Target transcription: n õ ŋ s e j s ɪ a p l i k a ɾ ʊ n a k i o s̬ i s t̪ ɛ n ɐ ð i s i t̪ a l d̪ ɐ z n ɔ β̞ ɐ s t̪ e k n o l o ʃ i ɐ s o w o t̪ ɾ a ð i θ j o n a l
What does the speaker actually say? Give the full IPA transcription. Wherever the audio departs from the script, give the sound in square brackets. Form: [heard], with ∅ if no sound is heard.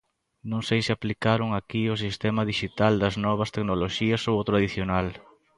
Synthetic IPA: n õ ŋ s e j s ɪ a p l i k a ɾ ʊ [ŋ] a k i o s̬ i s t̪ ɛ [m] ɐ ð i [ʃ] i t̪ a l d̪ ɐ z n ɔ β̞ ɐ s t̪ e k n o l o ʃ i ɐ s o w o t̪ ɾ a ð i θ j o n a l